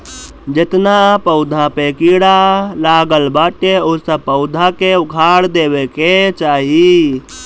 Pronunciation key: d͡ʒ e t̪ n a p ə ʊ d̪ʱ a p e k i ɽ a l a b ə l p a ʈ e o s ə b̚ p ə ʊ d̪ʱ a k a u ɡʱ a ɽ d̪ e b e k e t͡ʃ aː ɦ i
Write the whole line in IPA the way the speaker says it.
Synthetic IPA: d͡ʒ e t̪ n a p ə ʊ d̪ʱ a p e k i ɽ a l a ɡ ə l b a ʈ e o s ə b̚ p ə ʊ d̪ʱ a k e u ɡʱ a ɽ d̪ e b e k e t͡ʃ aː ɦ i